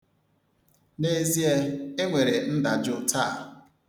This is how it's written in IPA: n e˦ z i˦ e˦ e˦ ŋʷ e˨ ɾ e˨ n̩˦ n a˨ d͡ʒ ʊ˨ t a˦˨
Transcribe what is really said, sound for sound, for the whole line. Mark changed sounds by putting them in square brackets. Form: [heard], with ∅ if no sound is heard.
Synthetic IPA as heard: n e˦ z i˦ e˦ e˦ ŋʷ e˨ ɾ e˨ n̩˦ [d] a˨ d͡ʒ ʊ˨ t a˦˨